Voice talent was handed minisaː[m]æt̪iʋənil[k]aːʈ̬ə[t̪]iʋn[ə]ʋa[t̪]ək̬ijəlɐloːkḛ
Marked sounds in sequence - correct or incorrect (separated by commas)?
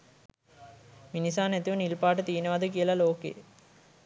incorrect, incorrect, correct, correct, incorrect